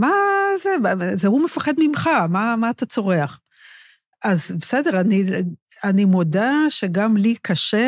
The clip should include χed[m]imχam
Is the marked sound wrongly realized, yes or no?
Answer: no